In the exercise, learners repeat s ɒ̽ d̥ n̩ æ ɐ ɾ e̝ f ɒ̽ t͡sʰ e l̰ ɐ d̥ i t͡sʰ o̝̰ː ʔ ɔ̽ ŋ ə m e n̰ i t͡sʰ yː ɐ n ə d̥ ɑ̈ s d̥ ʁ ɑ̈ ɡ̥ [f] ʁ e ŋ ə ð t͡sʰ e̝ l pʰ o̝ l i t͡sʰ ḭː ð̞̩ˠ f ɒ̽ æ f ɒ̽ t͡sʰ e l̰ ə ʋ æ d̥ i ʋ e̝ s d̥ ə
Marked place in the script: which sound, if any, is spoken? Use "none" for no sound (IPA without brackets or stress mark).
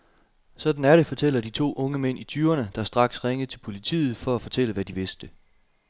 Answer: s